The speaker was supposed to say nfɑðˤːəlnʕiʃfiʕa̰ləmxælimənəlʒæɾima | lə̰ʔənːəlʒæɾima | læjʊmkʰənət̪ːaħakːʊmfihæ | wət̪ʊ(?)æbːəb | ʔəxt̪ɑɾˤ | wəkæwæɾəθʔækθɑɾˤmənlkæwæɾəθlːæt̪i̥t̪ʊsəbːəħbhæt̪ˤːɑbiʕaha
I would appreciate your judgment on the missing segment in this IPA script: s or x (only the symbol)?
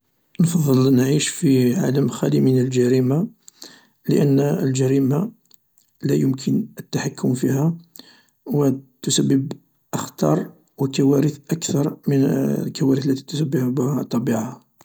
s